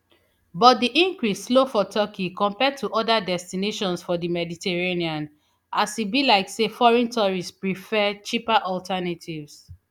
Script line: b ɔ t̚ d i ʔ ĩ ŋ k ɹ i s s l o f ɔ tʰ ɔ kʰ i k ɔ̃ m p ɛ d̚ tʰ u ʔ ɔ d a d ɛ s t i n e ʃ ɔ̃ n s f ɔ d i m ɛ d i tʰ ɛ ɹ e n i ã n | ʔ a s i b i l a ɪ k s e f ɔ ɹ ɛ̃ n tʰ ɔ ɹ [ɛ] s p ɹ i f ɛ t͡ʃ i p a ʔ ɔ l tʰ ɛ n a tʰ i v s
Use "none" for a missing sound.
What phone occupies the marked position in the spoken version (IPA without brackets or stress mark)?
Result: i